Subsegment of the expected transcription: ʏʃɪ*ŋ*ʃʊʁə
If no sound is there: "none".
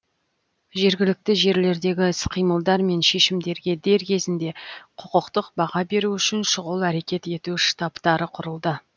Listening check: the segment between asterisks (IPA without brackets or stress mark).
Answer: n